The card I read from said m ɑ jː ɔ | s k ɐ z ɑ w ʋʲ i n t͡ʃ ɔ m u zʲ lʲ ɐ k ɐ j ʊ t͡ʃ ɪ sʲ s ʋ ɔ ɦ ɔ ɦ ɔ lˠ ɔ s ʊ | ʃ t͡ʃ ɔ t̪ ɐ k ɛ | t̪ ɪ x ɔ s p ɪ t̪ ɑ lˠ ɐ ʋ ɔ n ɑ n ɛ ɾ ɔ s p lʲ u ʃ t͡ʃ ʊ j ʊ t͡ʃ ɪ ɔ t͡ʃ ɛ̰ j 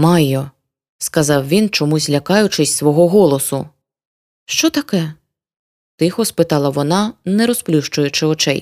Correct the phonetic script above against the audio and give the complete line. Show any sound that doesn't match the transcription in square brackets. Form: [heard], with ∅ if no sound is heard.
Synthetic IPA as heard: m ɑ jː ɔ | s k ɐ z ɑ w ʋʲ i n t͡ʃ ɔ m u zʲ lʲ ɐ k [ɑ] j ʊ t͡ʃ ɪ sʲ s ʋ ɔ ɦ ɔ ɦ ɔ lˠ ɔ s ʊ | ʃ t͡ʃ ɔ t̪ ɐ k ɛ | t̪ ɪ x ɔ s p ɪ t̪ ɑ lˠ ɐ ʋ ɔ n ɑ n ɛ ɾ ɔ s p lʲ u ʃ t͡ʃ ʊ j ʊ t͡ʃ ɪ ɔ t͡ʃ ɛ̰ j